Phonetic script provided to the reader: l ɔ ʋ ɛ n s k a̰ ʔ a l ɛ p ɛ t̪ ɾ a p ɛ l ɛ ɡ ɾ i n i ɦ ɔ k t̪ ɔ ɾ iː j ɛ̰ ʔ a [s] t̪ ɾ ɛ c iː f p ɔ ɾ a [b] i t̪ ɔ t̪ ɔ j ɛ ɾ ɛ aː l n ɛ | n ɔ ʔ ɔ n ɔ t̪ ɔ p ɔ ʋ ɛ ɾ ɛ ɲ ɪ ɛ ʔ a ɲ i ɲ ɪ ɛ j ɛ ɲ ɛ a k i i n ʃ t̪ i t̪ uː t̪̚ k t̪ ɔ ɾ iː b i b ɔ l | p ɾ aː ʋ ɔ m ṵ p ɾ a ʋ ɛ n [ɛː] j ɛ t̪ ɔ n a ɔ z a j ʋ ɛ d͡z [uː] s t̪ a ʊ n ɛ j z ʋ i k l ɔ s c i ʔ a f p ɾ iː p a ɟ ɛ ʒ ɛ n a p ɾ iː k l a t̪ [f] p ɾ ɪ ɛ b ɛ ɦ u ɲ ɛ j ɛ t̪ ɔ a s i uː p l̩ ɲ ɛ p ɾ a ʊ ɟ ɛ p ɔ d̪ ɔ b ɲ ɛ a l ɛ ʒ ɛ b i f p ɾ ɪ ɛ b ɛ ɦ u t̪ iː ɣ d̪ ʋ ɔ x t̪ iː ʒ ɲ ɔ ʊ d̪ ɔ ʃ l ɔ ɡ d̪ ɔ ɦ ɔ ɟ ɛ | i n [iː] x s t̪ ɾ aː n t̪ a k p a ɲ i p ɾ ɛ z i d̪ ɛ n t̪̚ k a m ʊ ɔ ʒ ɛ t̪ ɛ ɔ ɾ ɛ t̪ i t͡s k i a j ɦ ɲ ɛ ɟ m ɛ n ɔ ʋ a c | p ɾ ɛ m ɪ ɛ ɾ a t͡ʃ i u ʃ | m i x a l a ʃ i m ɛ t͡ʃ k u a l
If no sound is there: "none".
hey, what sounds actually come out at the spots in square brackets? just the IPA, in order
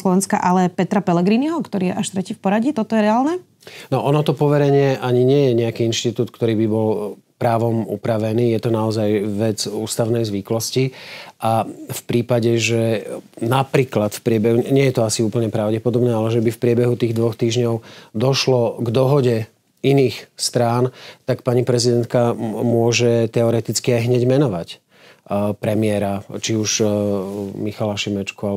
ʃ, ɟ, iː, uː, f, iː

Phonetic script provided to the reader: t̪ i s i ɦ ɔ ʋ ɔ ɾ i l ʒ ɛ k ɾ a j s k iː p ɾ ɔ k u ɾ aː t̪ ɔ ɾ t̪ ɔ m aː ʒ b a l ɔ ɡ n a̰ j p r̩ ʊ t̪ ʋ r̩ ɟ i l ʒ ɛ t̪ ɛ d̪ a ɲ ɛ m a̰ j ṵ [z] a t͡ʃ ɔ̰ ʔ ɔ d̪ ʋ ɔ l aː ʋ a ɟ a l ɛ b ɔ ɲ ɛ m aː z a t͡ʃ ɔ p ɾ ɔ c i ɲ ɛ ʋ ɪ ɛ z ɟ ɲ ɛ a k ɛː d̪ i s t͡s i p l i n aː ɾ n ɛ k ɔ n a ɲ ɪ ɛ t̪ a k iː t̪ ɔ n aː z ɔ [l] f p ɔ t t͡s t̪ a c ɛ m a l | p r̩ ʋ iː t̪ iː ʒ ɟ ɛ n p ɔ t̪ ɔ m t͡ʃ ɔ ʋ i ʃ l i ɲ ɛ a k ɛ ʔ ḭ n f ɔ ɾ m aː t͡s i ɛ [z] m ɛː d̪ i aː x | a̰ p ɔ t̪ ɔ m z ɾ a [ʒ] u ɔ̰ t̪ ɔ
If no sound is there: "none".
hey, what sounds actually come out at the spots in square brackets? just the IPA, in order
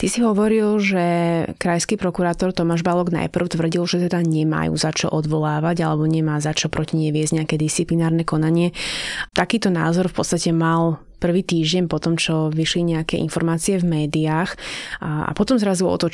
z, ɾ, v, z

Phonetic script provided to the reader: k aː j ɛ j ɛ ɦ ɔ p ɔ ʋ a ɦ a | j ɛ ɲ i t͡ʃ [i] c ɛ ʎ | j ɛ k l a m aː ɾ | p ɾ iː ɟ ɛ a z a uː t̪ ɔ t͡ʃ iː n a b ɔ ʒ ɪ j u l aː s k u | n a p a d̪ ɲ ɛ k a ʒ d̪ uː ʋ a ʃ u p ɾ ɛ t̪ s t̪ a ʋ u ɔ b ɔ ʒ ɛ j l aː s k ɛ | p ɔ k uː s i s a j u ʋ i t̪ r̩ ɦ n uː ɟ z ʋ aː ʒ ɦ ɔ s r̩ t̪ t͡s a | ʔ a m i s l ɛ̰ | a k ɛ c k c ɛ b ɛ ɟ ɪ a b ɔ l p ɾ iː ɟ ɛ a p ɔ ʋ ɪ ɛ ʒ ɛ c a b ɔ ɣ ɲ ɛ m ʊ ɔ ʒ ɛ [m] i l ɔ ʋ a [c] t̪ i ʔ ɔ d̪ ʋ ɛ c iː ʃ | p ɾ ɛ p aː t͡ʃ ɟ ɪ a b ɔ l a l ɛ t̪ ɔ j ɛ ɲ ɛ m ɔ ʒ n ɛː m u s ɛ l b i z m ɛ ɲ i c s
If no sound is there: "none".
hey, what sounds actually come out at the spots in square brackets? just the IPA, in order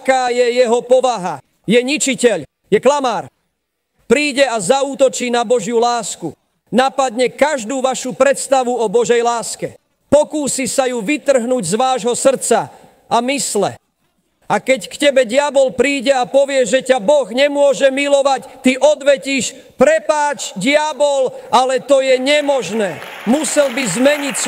i, m, c

